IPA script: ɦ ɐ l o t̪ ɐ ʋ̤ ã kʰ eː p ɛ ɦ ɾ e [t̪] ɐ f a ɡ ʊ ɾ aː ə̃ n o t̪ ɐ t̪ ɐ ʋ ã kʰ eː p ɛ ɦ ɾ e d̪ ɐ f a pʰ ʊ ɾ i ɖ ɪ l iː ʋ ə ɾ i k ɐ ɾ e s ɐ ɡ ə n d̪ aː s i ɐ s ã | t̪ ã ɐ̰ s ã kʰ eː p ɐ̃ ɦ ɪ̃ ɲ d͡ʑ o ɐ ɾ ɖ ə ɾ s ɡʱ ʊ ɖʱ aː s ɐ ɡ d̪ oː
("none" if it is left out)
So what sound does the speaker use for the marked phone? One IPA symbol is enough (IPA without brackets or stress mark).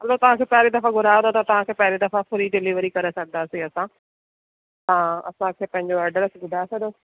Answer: d̪